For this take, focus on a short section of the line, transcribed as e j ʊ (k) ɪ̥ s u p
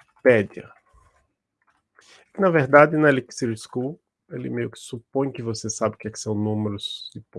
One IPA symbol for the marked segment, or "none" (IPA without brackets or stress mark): k